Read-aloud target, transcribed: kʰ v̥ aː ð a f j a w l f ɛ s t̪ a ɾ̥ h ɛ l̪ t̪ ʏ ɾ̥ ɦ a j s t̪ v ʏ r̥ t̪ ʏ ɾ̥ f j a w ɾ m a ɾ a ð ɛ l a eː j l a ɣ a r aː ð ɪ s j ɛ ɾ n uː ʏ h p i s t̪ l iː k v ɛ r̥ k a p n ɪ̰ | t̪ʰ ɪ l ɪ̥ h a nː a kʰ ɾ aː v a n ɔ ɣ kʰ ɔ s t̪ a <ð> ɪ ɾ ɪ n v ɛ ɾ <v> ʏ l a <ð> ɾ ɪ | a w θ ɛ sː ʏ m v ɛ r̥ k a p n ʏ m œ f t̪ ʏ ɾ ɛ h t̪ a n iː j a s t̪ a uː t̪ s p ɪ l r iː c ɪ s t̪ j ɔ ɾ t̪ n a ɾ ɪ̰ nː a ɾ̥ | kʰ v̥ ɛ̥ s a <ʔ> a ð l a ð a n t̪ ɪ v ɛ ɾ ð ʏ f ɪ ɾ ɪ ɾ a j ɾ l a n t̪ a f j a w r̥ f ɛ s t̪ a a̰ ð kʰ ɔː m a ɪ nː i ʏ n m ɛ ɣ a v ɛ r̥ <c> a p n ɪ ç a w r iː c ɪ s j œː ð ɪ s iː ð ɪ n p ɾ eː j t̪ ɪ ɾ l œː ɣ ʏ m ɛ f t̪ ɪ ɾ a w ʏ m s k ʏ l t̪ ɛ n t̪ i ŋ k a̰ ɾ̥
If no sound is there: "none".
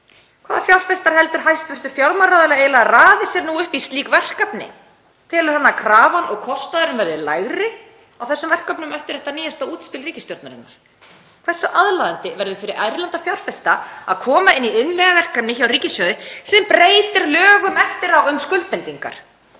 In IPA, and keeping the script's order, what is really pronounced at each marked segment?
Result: ð, ð, ɣ, ʔ, k

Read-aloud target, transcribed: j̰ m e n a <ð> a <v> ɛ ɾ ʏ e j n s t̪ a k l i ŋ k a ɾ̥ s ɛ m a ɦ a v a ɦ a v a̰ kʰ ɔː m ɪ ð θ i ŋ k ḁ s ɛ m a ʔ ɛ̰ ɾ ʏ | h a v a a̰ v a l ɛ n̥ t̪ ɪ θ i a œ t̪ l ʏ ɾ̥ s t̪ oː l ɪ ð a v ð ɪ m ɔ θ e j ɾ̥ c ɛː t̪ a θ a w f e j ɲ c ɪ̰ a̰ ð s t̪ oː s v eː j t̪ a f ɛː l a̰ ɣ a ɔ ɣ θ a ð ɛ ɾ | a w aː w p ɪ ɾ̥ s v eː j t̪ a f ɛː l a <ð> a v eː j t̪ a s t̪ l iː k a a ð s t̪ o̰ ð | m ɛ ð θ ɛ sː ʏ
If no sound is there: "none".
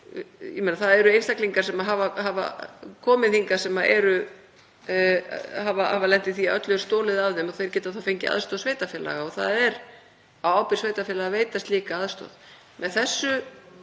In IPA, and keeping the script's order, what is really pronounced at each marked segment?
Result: θ, ð, ɣ

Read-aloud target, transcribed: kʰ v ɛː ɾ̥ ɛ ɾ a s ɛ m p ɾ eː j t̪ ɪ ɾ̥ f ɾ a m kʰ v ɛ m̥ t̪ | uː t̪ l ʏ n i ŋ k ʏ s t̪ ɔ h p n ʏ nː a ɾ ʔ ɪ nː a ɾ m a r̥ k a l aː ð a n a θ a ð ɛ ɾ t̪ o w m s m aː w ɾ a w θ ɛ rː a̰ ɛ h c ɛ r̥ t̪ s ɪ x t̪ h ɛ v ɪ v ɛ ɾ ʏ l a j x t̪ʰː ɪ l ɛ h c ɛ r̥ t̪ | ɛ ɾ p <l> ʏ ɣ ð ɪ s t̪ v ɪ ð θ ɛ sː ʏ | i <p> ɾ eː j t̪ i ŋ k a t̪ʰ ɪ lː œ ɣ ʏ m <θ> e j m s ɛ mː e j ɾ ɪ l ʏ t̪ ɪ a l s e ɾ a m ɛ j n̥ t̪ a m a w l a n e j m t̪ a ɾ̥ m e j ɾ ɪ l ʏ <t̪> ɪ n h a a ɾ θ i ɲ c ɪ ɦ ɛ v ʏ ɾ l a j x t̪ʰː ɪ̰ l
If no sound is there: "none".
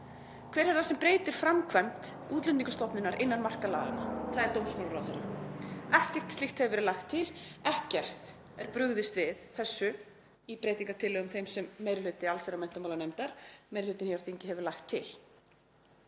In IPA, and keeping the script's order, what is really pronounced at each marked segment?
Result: ɾ, p, θ, t̪

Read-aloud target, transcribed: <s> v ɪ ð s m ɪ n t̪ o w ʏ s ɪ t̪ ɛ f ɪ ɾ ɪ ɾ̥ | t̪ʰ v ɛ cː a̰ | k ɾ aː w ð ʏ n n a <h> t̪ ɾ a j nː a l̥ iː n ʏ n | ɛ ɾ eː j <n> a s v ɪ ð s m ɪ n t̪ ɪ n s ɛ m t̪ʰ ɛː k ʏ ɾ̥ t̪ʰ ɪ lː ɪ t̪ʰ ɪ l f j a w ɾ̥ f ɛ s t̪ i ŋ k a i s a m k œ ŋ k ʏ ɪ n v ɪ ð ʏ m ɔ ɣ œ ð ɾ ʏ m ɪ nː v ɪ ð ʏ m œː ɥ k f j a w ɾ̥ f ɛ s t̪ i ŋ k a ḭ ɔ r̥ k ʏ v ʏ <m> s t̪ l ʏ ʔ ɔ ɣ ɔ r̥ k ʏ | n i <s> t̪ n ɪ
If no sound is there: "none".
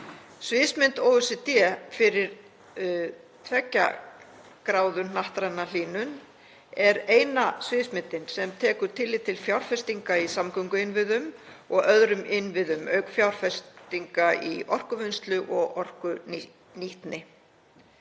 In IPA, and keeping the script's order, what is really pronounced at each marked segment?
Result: s, h, n, n, h

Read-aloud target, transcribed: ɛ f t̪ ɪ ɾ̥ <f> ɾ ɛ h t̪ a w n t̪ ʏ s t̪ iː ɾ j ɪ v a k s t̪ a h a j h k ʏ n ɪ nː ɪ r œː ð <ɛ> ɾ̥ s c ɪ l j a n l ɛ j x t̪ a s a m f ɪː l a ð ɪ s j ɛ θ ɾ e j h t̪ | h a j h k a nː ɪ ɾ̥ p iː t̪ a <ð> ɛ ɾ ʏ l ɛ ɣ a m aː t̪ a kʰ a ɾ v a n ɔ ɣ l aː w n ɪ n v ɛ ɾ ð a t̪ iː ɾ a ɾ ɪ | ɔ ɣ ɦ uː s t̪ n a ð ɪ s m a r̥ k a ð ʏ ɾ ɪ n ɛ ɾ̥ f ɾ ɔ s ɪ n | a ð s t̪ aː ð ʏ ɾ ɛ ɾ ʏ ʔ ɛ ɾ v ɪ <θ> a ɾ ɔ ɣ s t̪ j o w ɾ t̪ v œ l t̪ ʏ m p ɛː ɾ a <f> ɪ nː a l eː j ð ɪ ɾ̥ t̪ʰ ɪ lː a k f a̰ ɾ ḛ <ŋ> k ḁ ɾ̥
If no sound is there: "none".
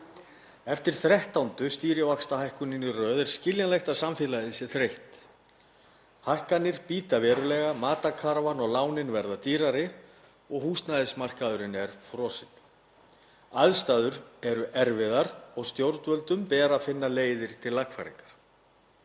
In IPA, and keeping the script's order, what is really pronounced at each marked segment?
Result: θ, ɛ, v, ð, f, ŋ

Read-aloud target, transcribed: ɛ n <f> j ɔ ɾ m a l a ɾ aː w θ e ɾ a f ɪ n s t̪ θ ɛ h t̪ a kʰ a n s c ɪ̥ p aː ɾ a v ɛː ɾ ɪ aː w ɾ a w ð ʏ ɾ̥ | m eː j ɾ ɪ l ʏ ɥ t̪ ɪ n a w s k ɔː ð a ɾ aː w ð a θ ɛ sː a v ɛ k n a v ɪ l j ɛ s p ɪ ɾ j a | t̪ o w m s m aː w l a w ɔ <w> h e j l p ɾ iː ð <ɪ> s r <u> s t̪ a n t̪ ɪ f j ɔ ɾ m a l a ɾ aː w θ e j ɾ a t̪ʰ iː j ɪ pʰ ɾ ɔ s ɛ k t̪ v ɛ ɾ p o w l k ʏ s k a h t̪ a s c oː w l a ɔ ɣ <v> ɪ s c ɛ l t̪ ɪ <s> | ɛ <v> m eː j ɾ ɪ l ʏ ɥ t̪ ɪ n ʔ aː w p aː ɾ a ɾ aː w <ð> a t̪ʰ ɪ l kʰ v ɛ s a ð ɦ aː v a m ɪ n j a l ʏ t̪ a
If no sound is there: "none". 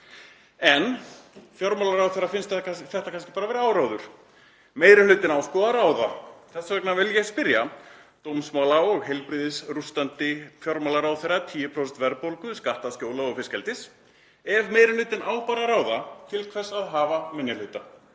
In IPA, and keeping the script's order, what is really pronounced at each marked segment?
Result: f, ɣ, ɪ, u, f, s, v, ð

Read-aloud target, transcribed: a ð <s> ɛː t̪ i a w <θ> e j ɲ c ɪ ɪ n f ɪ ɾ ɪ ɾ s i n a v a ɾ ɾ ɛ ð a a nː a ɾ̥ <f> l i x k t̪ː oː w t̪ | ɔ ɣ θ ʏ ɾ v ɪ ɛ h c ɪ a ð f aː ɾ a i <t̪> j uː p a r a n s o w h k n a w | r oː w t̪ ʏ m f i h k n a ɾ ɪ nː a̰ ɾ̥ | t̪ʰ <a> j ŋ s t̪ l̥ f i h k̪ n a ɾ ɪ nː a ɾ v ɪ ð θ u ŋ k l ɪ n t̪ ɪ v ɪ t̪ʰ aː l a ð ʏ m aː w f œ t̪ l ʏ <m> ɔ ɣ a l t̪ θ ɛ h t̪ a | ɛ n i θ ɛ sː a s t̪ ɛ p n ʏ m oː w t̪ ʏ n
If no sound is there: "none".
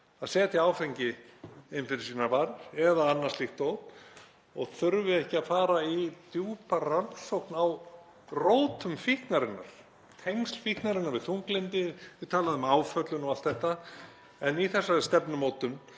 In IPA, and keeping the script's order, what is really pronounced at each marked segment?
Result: s, f, s, t̪, e, n

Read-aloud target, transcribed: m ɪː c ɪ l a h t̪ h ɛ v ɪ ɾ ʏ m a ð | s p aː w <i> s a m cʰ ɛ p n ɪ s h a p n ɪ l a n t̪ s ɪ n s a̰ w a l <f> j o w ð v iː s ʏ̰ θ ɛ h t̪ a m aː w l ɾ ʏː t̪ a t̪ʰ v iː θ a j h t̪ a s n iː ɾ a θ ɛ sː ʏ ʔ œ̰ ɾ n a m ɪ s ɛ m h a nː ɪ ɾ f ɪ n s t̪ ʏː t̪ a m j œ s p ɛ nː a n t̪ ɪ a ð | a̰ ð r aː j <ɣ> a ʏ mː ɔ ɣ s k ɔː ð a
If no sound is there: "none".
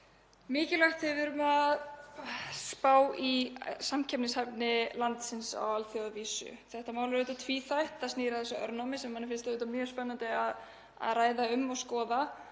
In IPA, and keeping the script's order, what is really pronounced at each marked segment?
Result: i, θ, ð

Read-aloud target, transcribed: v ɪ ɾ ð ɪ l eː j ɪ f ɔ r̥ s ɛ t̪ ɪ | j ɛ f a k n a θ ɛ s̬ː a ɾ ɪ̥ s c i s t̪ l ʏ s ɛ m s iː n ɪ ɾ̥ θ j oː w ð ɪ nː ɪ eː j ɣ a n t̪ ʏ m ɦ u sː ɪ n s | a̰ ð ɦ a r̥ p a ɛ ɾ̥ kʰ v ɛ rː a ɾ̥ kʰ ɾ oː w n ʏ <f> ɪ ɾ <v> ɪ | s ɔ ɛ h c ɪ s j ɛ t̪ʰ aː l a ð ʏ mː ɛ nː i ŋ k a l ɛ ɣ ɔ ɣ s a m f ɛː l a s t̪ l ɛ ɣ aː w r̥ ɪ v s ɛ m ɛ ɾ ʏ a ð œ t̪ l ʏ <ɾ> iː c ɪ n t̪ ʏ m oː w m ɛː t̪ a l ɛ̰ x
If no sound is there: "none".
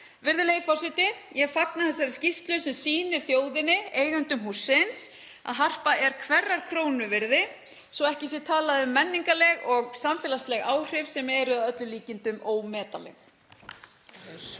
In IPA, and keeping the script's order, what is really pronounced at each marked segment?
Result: v, ð, l

